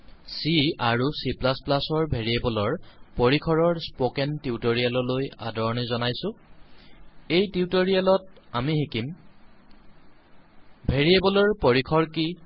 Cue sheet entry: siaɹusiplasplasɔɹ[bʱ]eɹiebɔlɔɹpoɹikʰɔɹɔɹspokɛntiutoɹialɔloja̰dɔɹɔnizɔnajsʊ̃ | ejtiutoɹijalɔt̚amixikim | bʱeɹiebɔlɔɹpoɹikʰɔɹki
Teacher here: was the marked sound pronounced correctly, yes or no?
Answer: yes